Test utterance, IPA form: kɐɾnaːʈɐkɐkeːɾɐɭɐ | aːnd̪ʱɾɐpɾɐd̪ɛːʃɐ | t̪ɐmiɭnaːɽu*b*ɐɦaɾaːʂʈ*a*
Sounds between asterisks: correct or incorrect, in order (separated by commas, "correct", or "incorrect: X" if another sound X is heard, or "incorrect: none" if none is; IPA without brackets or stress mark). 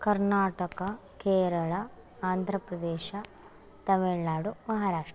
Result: incorrect: m, incorrect: ɐ